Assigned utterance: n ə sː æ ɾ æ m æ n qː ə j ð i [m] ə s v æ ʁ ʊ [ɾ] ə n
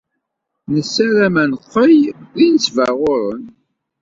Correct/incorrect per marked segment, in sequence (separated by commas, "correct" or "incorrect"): incorrect, correct